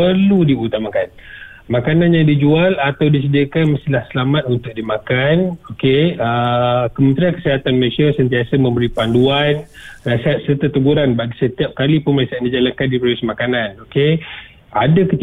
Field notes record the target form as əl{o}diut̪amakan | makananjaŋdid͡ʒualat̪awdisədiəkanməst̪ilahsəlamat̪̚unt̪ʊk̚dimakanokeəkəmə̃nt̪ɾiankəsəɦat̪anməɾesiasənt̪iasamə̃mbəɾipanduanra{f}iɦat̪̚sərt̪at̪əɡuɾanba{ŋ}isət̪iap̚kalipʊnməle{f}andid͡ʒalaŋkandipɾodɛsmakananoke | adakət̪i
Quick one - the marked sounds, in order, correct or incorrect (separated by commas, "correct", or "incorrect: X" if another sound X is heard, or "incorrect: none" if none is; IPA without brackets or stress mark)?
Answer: incorrect: u, incorrect: s, incorrect: ɡ, incorrect: s